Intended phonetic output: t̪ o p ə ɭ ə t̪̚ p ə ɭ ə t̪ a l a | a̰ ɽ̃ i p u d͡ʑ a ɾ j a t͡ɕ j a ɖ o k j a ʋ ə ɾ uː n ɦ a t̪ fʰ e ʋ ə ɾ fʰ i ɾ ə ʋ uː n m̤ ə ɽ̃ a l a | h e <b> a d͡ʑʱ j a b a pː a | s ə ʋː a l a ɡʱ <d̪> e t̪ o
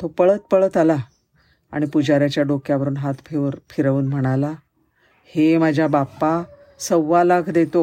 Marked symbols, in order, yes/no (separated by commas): no, yes